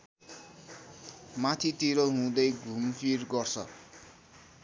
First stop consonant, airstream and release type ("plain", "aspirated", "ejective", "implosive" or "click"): aspirated